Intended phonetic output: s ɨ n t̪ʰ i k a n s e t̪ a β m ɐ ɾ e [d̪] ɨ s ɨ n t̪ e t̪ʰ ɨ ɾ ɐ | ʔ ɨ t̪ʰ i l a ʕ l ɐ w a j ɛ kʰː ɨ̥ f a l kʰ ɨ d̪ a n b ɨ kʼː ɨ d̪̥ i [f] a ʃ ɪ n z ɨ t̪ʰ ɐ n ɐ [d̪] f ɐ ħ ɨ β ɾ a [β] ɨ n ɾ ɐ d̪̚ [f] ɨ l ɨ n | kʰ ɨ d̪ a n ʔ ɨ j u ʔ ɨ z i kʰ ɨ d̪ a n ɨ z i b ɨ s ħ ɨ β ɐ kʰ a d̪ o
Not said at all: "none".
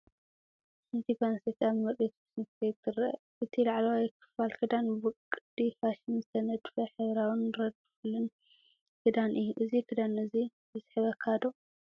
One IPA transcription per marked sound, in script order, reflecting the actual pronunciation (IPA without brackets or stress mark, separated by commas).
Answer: t̪, f, d̪, w, f